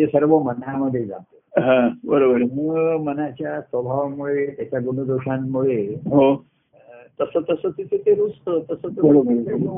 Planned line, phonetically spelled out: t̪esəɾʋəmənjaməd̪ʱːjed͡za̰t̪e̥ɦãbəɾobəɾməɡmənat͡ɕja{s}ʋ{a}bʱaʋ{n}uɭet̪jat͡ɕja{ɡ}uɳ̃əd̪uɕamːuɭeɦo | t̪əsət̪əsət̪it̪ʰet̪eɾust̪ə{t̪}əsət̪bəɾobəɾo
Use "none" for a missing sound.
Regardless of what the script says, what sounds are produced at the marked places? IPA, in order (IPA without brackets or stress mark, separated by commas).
s, ə, m, ɡ, t̪